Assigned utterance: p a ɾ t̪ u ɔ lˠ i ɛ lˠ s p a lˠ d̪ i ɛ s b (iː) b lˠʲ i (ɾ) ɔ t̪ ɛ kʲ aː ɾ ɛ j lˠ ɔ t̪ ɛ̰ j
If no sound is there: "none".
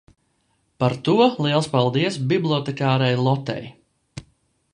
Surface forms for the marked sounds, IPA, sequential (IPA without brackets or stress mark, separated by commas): i, none